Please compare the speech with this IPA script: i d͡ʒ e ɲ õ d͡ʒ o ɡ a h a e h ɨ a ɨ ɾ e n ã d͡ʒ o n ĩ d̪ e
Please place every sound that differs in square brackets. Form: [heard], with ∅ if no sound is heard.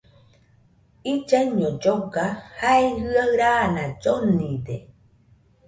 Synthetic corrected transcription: i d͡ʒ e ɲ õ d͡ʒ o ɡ a h a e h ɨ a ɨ ɾ [a] n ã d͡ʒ o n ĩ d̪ e